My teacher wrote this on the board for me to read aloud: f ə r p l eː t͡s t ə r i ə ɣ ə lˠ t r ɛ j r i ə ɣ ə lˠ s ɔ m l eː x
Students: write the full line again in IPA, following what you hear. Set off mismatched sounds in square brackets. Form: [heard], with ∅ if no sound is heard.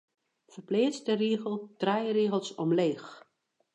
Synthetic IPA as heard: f ə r p l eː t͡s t ə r i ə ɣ ə lˠ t r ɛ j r i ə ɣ ə lˠ s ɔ m l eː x